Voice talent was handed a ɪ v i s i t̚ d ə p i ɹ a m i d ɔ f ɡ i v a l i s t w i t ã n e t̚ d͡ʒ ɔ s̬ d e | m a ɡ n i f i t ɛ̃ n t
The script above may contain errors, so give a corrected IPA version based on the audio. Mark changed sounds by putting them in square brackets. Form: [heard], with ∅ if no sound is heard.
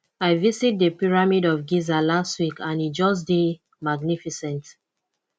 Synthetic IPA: a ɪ v i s i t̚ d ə p i ɹ a m i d ɔ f ɡ i [z] a l [a] s t w i [k] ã n [i] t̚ d͡ʒ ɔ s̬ d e | m a ɡ n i f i [s] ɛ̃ n t